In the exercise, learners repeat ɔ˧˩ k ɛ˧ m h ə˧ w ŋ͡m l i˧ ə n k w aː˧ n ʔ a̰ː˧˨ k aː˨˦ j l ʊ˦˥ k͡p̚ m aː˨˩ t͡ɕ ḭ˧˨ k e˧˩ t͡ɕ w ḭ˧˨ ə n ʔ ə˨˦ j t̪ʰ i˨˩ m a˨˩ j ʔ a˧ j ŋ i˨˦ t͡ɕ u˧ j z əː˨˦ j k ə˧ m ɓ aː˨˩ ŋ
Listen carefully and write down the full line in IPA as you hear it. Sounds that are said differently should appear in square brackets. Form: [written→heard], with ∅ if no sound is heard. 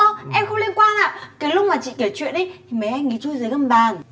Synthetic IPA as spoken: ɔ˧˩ [k→ʔ] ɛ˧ m [h→x] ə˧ w ŋ͡m l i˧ ə n k w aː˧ n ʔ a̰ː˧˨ k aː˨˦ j l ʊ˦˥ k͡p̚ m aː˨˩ t͡ɕ ḭ˧˨ k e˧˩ t͡ɕ w ḭ˧˨ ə n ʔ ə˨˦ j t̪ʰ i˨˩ m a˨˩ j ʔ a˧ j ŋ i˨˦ t͡ɕ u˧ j z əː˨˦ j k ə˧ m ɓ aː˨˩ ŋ